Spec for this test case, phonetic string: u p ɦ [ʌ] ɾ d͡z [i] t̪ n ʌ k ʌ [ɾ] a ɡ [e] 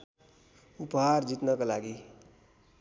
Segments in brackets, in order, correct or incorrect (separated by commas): incorrect, correct, incorrect, incorrect